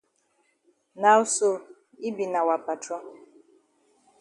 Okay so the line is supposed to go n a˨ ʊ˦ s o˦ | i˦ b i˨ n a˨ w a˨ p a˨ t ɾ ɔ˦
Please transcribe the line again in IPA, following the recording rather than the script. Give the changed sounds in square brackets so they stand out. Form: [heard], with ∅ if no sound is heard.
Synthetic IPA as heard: n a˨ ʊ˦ s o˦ | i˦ b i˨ n a˨ w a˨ p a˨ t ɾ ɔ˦